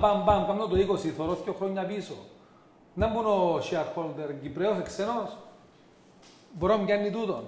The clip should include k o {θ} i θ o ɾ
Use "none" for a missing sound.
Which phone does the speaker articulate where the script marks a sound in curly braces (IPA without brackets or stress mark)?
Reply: s